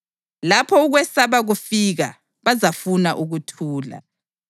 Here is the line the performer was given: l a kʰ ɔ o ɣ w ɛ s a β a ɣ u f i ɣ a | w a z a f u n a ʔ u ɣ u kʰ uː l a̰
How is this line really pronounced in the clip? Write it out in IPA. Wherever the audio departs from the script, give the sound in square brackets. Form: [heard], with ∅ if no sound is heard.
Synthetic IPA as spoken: l a [pʰ] ɔ [u] ɣ w ɛ s a β a ɣ u f i ɣ a | [β] a z a f u n a ʔ u ɣ u [tʰ] uː l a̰